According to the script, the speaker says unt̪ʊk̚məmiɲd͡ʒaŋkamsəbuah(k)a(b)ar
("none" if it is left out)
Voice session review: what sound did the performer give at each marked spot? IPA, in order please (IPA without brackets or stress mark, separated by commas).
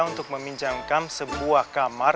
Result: k, m